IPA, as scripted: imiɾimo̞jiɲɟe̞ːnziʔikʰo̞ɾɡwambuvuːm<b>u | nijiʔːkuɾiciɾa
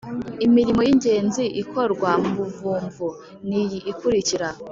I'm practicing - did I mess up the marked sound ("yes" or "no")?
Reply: yes